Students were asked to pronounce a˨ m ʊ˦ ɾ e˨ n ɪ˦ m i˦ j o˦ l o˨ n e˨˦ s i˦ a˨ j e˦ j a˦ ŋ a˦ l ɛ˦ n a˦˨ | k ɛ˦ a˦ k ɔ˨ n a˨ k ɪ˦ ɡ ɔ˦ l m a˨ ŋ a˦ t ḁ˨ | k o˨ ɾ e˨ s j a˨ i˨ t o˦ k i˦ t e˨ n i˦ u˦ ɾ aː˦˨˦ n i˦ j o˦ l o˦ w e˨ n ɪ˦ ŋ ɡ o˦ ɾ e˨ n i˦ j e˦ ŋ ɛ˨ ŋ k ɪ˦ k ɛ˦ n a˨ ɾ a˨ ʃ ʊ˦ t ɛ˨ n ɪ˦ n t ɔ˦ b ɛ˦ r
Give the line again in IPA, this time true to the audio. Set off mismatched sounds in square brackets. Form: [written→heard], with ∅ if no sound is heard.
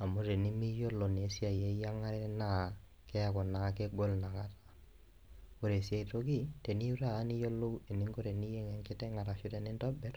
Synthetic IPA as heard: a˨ m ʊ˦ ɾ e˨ n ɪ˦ m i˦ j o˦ l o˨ n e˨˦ s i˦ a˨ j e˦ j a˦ ŋ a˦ [l→ɾ] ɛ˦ n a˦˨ | k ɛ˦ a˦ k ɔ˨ n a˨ k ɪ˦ ɡ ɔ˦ l [m→n] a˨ ŋ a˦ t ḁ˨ | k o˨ ɾ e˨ s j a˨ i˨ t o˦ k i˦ t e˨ n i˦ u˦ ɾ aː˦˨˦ n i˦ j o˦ l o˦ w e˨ n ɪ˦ ŋ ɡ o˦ ɾ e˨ n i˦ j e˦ ŋ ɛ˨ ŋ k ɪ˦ [k→t] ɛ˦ [n→ŋ] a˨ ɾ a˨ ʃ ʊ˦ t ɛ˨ n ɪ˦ n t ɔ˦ b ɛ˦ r

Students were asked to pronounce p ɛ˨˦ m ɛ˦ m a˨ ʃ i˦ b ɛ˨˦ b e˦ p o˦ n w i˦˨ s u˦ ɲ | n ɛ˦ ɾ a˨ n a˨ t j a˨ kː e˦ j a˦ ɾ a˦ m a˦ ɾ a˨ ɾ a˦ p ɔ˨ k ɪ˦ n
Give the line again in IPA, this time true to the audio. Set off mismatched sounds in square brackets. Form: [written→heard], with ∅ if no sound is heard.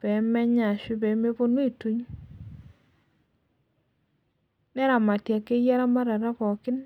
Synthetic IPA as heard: p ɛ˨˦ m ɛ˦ [m→ɲ] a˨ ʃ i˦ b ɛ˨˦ [b→m] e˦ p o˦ n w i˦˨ [s→t] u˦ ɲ | n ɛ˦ ɾ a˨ [n→m] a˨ t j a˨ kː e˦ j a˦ ɾ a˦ m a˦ ɾ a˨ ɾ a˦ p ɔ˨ k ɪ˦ n

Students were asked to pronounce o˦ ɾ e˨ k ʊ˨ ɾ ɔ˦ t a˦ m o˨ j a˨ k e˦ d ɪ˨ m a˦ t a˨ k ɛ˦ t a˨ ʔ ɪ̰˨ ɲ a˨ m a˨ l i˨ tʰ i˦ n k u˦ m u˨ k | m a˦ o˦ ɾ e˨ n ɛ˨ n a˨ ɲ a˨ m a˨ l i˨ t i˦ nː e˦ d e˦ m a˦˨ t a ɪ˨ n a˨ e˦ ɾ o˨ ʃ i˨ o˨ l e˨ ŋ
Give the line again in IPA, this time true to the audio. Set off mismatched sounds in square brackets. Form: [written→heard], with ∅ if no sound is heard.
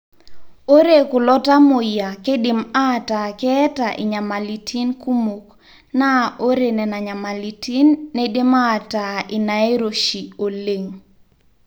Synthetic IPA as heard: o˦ ɾ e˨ k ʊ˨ [ɾ→l] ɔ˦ t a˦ m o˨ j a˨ k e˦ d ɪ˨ m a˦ t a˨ k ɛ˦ t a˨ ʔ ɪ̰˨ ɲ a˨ m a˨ l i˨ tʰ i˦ n k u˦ m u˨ k | [m→n] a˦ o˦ ɾ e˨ n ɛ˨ n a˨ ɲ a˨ m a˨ l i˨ t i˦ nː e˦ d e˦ m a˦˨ t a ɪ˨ n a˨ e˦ ɾ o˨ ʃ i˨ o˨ l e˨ ŋ

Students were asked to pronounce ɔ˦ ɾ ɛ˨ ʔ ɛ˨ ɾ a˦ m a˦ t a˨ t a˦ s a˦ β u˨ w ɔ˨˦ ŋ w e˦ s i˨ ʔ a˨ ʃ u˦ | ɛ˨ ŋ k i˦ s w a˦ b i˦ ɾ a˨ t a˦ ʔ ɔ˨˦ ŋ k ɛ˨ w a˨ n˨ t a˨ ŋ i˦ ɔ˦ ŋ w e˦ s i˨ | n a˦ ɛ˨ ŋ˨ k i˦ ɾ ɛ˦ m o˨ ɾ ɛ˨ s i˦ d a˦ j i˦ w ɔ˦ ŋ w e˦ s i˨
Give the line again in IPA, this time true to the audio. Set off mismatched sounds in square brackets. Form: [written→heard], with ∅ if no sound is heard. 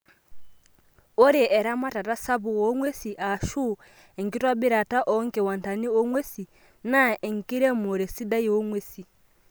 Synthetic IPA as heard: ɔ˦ ɾ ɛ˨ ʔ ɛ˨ ɾ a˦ m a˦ t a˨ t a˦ s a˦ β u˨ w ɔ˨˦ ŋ w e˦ s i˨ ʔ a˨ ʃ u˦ | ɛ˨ ŋ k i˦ [s→t] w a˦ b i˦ ɾ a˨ t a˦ ʔ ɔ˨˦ ŋ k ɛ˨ w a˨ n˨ t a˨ [ŋ→n] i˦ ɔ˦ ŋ w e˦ s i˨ | n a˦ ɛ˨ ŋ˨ k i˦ ɾ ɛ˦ m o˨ ɾ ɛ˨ s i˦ d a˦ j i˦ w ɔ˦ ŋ w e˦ s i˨

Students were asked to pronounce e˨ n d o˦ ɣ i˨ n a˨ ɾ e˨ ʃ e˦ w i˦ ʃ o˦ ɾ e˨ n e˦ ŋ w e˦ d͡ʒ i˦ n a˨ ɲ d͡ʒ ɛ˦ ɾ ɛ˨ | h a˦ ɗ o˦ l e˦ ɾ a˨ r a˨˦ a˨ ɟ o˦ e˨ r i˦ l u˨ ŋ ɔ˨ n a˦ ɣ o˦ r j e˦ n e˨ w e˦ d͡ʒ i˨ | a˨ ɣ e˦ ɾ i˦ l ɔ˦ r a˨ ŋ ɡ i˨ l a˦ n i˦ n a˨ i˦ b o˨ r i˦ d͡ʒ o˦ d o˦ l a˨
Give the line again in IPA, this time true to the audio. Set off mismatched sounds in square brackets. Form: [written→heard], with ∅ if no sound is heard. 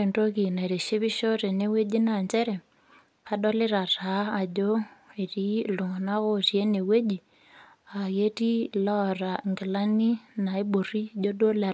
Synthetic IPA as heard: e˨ n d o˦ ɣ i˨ n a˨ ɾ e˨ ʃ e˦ [w→β] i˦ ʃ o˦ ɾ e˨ n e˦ [ŋ→∅] w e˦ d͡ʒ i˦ n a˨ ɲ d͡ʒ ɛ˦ ɾ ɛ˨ | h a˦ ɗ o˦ l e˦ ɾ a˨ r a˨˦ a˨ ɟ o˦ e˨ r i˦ l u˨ ŋ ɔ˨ n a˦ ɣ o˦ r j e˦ n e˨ w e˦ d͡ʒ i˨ | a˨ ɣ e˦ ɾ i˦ l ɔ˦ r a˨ ŋ ɡ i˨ l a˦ n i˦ n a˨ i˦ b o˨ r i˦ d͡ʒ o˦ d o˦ l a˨

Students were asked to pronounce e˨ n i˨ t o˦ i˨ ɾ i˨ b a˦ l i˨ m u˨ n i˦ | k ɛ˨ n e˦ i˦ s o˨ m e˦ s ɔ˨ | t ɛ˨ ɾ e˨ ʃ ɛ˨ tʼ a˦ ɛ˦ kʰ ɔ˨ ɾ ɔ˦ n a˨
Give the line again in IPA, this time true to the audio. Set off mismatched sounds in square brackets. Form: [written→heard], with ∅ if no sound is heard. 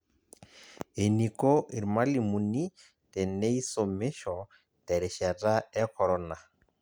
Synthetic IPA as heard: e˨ n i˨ [t→k] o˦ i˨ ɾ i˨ [b→m] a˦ l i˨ m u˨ n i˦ | [k→t] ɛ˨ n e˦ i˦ s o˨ m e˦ [s→ʃ] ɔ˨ | t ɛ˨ ɾ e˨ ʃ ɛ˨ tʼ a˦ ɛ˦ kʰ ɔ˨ ɾ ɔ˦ n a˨

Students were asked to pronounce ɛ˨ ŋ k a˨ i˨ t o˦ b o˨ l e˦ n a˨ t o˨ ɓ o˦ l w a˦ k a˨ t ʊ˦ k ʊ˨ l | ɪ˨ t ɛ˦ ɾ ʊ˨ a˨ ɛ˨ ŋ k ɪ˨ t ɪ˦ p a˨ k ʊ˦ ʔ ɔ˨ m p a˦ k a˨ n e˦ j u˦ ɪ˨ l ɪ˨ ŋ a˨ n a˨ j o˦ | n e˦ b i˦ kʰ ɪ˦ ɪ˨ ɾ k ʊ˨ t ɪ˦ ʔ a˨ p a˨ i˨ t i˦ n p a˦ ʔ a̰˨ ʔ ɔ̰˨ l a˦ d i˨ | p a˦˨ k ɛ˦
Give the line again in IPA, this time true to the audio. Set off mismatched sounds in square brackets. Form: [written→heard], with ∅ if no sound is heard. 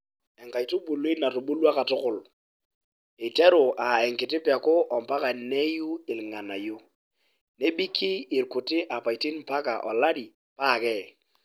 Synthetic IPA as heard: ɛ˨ ŋ k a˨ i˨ t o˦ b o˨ l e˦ n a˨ t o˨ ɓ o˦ l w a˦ k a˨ t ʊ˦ k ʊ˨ l | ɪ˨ t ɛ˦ ɾ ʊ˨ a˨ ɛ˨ ŋ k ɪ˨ t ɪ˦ p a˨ k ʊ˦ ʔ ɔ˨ m p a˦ k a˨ n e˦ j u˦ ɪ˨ l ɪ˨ ŋ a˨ n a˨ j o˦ | n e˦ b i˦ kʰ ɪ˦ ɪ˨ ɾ k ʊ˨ t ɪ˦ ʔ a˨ p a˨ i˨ t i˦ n p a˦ [ʔ→k] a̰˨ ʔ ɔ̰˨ l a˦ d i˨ | p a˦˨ k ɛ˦

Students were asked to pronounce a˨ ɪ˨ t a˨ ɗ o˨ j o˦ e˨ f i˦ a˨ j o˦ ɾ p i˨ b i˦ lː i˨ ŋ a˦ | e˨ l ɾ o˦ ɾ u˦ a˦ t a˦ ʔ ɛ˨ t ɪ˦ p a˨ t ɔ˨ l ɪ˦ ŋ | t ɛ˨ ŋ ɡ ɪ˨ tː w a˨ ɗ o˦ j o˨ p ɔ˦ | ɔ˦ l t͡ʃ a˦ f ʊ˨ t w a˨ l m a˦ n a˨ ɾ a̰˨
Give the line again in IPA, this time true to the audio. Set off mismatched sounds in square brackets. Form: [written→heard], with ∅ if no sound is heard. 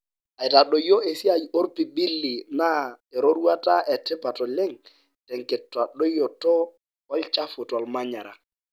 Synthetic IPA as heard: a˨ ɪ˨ t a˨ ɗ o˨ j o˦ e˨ [f→s] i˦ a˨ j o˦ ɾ p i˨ b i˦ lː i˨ [ŋ→n] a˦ | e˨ [l→∅] ɾ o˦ ɾ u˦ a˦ t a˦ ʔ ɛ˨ t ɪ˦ p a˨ t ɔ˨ l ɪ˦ ŋ | t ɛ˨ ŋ [ɡ→k] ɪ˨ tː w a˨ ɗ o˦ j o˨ [p→t] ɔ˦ | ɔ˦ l t͡ʃ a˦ f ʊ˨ t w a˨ l m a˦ [n→ɲ] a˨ ɾ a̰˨

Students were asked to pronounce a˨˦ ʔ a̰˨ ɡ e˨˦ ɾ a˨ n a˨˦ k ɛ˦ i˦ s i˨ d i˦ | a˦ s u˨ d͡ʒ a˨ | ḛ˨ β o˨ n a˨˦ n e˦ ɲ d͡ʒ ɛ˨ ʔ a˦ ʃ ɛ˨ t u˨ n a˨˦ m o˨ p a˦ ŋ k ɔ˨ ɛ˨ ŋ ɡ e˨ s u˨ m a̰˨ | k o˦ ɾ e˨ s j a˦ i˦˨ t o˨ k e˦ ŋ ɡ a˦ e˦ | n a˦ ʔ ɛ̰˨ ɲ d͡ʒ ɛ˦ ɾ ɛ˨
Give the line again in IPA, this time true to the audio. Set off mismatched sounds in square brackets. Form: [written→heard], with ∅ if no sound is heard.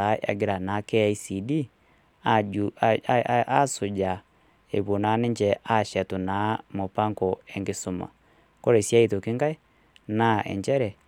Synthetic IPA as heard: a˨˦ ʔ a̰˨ ɡ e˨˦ ɾ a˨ n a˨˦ k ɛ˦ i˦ s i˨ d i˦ | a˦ s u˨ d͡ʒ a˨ | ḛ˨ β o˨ n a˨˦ n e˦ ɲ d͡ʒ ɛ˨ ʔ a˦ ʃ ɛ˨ t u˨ n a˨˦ m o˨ p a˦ ŋ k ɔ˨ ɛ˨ ŋ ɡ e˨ s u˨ m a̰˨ | k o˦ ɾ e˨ s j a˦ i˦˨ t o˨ k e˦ ŋ ɡ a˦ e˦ | n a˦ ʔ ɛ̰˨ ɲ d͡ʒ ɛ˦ ɾ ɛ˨

